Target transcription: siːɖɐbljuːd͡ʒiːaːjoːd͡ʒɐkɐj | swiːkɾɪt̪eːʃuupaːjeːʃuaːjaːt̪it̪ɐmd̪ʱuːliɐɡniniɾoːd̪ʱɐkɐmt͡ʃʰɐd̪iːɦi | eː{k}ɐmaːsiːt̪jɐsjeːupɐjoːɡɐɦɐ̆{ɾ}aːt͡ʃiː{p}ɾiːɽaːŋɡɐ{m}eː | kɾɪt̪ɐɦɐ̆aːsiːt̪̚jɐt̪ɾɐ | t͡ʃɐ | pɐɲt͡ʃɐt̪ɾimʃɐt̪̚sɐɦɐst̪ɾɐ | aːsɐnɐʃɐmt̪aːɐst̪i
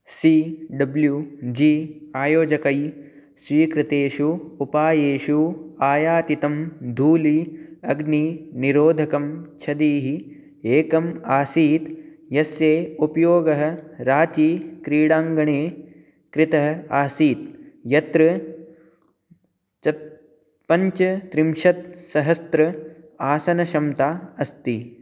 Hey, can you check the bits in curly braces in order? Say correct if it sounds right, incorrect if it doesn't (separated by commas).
correct, correct, incorrect, incorrect